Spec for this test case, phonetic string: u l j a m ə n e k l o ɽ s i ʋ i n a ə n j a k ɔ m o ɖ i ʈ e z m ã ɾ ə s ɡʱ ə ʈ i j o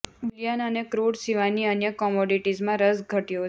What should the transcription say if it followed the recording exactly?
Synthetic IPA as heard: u l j a n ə n e k ɾ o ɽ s i ʋ a n i ə n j ə k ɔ m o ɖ i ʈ i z m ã ɾ ə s ɡʱ ə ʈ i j o